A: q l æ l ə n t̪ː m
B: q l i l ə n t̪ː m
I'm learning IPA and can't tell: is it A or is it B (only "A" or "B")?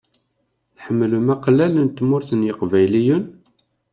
A